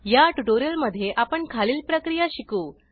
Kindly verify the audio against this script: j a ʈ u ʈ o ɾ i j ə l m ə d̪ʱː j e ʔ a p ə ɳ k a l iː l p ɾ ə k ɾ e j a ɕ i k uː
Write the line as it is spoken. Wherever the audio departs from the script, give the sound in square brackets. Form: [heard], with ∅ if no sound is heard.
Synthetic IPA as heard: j a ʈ u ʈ o ɾ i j ə l m ə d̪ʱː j e ʔ a p ə ɳ [kʰ] a l iː l p ɾ ə k ɾ [i] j a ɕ i k uː

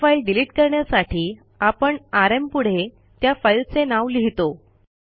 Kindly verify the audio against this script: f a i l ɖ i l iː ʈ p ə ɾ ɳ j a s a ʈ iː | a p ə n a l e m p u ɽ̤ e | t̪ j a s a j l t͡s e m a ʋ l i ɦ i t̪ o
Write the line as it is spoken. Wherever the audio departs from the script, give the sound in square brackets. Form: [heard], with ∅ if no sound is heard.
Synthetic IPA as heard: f a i l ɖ i l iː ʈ [k] ə ɾ ɳ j a s a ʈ iː | a p ə [ɳ] a [ɾ] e m p u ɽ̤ e | t̪ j a [f] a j l t͡s e [n] a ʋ l i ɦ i t̪ o

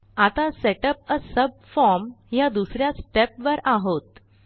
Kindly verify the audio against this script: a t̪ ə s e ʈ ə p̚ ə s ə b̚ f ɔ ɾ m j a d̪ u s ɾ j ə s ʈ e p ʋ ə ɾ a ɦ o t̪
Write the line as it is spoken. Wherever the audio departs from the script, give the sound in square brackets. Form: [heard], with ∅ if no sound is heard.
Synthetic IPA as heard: a t̪ [a] s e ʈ ə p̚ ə s ə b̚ f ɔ ɾ m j a d̪ u s ɾ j [a] s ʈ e p ʋ ə ɾ a ɦ o t̪

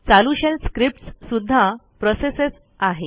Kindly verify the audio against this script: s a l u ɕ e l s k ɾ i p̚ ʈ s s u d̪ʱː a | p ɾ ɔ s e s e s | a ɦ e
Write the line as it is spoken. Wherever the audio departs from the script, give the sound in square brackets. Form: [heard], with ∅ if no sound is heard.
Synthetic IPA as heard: [t͡s] a l u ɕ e l s k ɾ i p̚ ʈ s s u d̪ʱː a | p ɾ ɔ s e s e s | a ɦ e

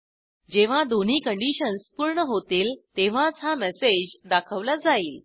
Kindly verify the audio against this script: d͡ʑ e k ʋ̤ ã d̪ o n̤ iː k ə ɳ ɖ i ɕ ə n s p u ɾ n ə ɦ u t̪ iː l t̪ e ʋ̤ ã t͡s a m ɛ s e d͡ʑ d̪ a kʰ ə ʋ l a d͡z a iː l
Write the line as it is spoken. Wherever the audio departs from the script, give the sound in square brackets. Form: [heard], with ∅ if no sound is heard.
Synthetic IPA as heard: d͡ʑ e [∅] ʋ̤ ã d̪ o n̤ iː k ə ɳ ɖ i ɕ ə n s p u ɾ [ɳ] ə ɦ [o] t̪ iː l t̪ e ʋ̤ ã t͡s a m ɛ s e d͡ʑ d̪ a kʰ ə ʋ l a d͡z a iː l

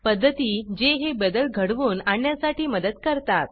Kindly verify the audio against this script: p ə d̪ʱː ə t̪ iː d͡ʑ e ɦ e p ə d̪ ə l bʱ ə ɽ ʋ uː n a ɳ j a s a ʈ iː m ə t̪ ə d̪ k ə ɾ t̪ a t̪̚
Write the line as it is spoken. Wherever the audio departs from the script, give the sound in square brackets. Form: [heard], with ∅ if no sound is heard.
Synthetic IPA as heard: p ə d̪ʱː ə t̪ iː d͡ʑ e ɦ e [b] ə d̪ ə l [ɡʱ] ə ɽ ʋ uː n a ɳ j a s a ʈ iː m ə [d̪] ə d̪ k ə ɾ t̪ a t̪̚

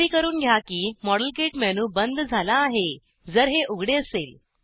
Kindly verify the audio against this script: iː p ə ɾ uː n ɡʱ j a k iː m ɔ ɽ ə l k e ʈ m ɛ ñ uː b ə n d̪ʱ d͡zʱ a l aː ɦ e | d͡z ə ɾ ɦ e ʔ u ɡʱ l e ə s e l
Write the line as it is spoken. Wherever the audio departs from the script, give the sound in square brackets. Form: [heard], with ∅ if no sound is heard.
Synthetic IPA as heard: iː [k] ə ɾ uː n ɡʱ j a k iː m ɔ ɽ ə l k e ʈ m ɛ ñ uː b ə n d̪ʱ d͡zʱ a l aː ɦ e | d͡z ə ɾ ɦ e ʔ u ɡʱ [ɽ] e ə s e l

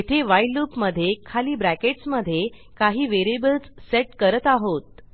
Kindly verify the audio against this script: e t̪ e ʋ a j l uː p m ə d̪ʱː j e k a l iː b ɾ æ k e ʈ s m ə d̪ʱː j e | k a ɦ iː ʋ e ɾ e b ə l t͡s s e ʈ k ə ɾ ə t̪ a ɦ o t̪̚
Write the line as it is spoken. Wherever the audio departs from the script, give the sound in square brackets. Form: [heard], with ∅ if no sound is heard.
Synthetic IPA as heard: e [t̪ʰ] e ʋ a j l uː p m ə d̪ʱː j e [kʰ] a l iː b ɾ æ k e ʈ s m ə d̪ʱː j e | k a ɦ iː ʋ e ɾ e b ə l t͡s s e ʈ k ə ɾ ə t̪ a ɦ o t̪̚

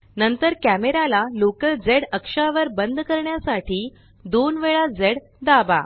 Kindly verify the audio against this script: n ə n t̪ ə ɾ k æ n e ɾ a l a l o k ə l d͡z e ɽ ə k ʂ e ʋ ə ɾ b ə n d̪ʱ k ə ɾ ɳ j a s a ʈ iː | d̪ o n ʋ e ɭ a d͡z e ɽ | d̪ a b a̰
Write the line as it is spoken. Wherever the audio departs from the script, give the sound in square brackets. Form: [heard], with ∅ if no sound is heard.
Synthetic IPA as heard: n ə n t̪ ə ɾ k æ [m] e ɾ a l a l o k ə l d͡z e ɽ ə k ʂ [a] ʋ ə ɾ b ə n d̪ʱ k ə ɾ ɳ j a s a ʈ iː | d̪ o n ʋ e ɭ a d͡z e ɽ | d̪ a b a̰

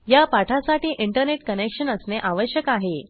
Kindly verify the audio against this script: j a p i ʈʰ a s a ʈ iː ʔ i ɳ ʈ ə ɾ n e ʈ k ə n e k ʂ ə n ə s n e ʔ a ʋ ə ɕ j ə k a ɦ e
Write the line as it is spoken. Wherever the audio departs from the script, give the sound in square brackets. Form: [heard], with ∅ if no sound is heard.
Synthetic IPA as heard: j a p [a] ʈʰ a s a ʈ iː ʔ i ɳ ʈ ə ɾ n e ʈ k ə n e k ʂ ə n ə s n e ʔ a ʋ ə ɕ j ə k a ɦ e

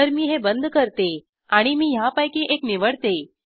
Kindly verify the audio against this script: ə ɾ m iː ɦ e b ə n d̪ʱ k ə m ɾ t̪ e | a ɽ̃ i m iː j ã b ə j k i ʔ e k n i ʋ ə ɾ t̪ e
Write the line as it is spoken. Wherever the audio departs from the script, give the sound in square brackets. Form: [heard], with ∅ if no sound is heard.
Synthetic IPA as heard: ə ɾ m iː ɦ e b ə n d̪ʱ k ə [∅] ɾ t̪ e | a ɽ̃ i m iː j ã [p] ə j k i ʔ e k n i ʋ ə [ɽ] t̪ e

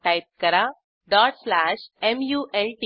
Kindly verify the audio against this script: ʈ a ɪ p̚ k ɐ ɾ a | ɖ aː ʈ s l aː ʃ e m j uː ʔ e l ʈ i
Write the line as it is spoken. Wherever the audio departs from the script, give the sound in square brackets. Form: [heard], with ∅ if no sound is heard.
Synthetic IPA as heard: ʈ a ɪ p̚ k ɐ ɾ a | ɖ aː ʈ s l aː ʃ e m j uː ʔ e l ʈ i

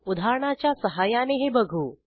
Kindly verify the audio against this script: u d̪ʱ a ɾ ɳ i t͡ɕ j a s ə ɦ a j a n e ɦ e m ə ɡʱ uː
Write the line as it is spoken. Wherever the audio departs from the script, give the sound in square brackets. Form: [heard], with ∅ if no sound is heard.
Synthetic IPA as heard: u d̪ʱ a ɾ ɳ [a] t͡ɕ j a s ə ɦ a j a n e ɦ e [b] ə ɡʱ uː

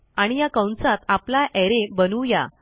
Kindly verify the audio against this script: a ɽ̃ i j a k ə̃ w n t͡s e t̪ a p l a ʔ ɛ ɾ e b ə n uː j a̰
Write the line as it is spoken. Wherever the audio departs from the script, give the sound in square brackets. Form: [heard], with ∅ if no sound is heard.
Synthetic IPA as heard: a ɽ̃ i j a k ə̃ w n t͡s [a] t̪ a p l a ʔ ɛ ɾ e b ə n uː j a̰

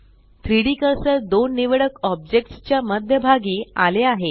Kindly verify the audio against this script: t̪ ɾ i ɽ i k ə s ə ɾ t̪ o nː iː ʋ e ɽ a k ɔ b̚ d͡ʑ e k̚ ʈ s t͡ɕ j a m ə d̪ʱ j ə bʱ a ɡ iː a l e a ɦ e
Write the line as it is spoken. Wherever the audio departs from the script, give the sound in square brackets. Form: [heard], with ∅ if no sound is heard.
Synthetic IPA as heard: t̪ ɾ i ɽ i k ə s ə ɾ [d̪] o nː [i] ʋ e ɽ [ə] k ɔ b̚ d͡ʑ e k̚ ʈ s t͡ɕ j a m ə d̪ʱ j ə bʱ a ɡ iː a l e a ɦ e

